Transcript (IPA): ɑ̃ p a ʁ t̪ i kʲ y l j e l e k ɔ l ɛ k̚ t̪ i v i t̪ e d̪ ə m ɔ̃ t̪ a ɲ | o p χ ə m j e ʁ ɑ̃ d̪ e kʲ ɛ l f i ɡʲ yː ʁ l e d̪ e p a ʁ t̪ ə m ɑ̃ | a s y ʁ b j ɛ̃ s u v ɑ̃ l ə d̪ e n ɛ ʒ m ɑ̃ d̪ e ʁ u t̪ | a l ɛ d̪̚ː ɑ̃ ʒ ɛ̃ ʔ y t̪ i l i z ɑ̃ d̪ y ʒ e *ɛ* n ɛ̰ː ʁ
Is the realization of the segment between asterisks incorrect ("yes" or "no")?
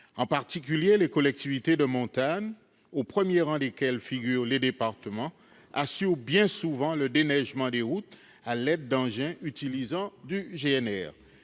no